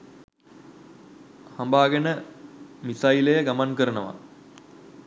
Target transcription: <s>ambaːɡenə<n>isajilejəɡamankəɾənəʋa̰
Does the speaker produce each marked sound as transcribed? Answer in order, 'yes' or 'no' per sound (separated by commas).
no, no